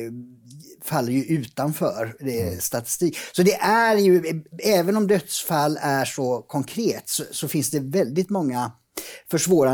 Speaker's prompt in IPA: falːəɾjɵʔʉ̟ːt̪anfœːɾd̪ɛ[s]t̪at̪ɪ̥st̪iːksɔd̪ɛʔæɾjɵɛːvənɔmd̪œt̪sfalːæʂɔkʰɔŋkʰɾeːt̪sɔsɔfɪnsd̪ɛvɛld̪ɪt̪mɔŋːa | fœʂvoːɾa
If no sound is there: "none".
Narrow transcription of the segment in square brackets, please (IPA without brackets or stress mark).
s